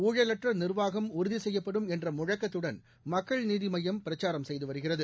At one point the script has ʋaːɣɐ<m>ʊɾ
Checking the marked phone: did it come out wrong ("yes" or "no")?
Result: no